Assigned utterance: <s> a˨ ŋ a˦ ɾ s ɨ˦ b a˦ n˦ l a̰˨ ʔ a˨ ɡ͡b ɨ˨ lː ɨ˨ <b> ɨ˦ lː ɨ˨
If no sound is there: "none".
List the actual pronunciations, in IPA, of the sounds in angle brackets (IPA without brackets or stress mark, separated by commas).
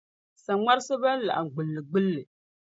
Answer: s, ɡ͡b